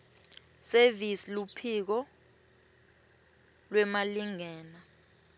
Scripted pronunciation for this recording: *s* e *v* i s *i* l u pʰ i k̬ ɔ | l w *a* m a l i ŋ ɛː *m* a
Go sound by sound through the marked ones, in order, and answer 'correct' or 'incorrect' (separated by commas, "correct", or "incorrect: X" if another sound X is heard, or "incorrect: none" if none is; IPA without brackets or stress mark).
correct, correct, correct, incorrect: ɛ, incorrect: n